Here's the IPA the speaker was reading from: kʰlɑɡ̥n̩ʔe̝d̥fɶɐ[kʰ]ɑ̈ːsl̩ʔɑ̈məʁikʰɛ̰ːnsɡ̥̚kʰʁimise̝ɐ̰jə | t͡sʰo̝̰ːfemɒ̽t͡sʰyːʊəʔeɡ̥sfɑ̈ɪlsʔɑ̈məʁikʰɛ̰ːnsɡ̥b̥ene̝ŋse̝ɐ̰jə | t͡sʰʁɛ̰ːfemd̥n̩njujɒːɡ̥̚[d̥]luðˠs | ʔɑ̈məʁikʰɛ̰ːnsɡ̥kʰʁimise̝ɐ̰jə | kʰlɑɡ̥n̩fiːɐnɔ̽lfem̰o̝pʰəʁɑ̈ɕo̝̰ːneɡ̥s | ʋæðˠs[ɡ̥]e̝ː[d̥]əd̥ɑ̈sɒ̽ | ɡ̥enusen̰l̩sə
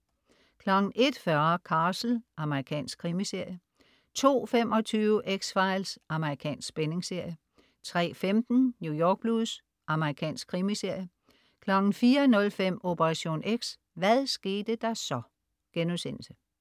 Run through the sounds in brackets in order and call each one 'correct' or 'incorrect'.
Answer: correct, incorrect, correct, correct

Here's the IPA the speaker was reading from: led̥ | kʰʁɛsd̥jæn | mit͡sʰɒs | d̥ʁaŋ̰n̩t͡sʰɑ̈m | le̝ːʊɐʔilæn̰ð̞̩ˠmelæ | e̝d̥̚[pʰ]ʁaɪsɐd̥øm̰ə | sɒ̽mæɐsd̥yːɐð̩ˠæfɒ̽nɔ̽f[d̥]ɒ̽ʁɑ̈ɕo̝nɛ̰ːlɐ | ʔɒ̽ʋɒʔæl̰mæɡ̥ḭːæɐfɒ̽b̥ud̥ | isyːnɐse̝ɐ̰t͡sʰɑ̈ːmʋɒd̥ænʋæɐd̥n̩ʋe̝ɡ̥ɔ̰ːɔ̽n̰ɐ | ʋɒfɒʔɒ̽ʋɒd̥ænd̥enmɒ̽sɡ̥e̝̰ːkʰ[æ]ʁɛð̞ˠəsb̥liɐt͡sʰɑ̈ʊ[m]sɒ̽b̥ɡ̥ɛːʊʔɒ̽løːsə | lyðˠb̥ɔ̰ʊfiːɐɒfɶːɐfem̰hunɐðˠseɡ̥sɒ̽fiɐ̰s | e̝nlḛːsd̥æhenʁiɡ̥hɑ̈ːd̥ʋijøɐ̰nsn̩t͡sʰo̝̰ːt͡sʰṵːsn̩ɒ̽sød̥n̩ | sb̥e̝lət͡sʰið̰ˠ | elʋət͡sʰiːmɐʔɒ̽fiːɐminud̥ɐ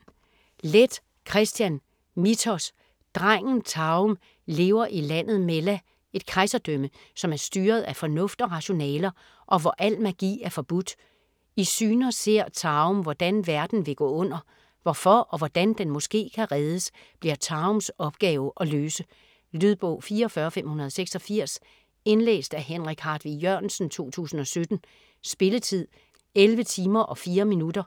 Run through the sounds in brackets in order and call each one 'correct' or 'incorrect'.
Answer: incorrect, correct, correct, correct

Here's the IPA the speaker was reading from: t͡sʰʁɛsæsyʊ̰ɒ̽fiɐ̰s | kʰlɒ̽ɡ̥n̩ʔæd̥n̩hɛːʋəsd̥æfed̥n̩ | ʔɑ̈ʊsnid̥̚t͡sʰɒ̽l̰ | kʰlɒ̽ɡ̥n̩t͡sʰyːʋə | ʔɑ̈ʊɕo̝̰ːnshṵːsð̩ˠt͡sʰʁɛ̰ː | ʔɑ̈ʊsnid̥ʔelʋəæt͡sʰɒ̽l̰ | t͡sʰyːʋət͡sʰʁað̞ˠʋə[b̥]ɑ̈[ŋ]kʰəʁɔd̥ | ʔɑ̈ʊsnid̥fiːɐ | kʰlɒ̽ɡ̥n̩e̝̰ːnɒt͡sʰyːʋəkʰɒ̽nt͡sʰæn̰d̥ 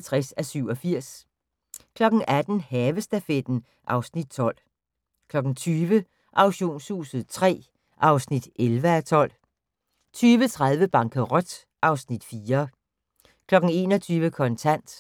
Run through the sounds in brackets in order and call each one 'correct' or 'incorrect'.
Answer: correct, correct

